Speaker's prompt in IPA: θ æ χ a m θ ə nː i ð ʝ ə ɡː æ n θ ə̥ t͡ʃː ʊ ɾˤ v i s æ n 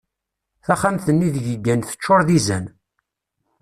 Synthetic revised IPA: θ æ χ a m θ ə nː i ð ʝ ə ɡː æ n θ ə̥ t͡ʃː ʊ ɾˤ ð i z æ n